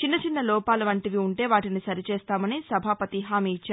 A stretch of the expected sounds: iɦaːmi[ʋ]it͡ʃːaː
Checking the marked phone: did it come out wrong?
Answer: yes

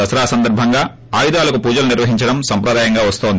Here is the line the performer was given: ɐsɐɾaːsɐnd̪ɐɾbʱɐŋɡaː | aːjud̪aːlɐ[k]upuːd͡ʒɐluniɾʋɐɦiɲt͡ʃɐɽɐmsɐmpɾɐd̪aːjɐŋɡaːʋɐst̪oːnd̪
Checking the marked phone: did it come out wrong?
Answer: no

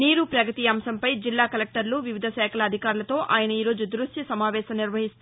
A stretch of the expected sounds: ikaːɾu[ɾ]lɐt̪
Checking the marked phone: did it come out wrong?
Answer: yes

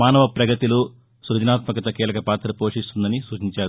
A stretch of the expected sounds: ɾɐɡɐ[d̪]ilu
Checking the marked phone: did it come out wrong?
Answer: yes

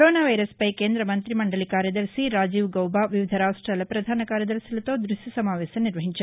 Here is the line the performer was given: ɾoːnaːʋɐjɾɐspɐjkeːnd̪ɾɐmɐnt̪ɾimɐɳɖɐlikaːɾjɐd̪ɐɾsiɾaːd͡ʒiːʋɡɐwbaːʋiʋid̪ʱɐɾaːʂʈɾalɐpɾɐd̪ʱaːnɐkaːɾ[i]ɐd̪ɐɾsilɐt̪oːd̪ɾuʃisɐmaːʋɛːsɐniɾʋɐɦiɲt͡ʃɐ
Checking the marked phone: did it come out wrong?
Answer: yes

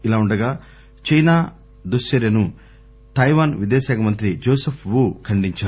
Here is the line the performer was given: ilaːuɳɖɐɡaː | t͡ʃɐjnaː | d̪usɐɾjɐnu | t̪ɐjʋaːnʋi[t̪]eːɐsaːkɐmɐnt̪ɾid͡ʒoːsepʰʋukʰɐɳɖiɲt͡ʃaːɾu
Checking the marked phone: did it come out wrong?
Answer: yes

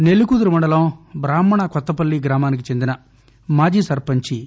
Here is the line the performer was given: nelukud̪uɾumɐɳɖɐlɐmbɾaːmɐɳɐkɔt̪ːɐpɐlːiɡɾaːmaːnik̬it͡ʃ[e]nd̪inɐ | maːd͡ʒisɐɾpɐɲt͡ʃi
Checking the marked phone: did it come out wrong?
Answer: no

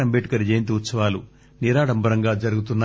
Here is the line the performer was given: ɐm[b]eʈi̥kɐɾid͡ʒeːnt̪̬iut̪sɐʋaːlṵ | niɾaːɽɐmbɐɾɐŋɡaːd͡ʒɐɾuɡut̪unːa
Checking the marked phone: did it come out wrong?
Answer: no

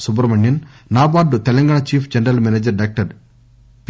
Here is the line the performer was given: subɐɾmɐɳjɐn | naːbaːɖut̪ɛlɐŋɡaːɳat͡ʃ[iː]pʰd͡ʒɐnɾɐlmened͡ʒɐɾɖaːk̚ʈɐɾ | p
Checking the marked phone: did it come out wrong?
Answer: no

